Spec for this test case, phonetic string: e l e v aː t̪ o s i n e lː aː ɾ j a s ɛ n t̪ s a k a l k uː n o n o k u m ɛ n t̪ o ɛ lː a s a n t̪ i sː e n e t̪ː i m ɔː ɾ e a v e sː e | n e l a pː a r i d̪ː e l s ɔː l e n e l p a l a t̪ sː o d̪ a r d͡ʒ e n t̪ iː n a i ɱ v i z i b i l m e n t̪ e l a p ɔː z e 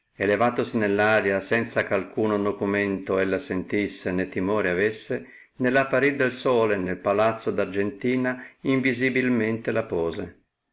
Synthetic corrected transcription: e l e v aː t̪ o s i n e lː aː ɾ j a s ɛ n t̪ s a k a l k uː n o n o k u m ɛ n t̪ o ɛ lː a s e n t̪ i sː e n e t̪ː i m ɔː ɾ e a v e sː e | n e l a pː a ɾ i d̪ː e l s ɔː l e n e l p a l a t̪ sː o d̪ a r d͡ʒ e n t̪ iː n a i ɱ v i z i b i l m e n t̪ e l a p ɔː z e